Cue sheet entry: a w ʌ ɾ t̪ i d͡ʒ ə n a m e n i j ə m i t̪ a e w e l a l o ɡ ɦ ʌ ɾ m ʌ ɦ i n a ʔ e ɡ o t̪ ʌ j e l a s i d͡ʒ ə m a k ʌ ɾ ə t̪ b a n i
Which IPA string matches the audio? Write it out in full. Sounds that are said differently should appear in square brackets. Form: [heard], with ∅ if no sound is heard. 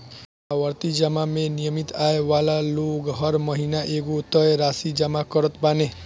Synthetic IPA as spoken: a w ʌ ɾ t̪ i d͡ʒ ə [m] a m e n i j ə m i t̪ a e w [a] l a l o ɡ ɦ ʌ ɾ m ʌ ɦ i n a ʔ e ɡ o t̪ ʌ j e [ɾ] a s i d͡ʒ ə m a k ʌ ɾ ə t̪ b a n [e]